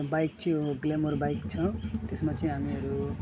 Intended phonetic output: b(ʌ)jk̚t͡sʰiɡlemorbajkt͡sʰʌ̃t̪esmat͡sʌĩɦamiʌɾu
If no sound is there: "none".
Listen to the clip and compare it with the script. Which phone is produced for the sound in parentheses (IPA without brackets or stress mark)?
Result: a